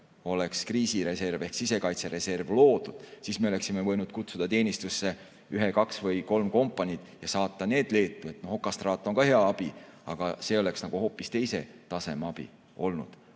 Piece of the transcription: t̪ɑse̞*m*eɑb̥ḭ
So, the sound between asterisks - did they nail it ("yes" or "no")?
yes